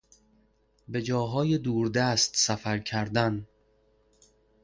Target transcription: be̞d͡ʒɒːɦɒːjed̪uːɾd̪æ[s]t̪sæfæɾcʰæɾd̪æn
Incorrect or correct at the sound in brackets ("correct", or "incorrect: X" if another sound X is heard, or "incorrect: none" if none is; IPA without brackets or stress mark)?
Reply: correct